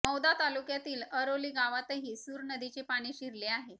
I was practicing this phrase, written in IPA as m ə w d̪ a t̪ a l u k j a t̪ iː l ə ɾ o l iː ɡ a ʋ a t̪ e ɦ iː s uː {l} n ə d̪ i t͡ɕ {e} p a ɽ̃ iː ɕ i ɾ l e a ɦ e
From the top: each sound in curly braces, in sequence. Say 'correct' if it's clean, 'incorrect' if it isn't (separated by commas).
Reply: incorrect, correct